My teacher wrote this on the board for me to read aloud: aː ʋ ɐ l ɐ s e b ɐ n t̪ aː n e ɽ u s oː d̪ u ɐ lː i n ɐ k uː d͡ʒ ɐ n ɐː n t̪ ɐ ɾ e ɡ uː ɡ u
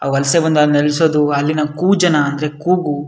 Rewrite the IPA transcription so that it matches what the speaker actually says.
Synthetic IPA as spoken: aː ʋ ɐ l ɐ s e b ɐ n d̪ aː n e l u s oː d̪ u ɐ lː i n ɐ k uː d͡ʒ ɐ n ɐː n d̪ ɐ ɾ e k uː ɡ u